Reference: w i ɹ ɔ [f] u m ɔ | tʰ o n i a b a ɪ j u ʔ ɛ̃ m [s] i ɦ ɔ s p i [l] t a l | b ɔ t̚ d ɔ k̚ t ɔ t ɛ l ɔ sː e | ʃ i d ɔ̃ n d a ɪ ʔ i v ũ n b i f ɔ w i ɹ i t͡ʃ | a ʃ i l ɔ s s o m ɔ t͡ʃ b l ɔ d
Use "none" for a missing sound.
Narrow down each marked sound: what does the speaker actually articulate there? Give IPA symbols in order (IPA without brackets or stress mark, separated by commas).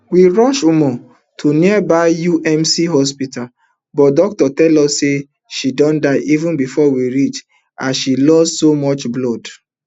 ʃ, s, none